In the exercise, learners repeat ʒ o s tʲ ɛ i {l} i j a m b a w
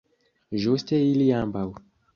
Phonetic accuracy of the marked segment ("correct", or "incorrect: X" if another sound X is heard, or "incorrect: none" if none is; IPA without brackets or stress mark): correct